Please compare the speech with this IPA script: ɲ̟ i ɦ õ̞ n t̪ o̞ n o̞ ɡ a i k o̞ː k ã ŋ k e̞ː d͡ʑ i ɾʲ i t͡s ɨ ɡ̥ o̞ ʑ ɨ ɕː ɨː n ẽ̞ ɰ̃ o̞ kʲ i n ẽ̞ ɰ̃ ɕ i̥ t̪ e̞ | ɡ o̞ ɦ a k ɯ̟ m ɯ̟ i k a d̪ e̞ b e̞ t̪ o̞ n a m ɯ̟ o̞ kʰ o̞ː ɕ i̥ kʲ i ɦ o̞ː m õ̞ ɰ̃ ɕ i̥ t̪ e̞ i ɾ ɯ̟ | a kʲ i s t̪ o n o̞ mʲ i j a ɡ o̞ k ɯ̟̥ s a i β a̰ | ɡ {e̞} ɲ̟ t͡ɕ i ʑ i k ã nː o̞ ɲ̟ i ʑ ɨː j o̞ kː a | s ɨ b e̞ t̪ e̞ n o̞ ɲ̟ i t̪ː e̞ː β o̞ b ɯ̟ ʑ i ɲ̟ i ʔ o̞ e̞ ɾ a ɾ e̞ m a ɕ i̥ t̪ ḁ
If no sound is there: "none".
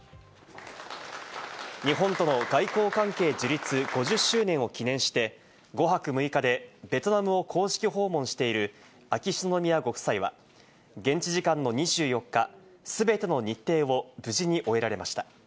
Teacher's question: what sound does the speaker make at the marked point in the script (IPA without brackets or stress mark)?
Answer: ẽ̞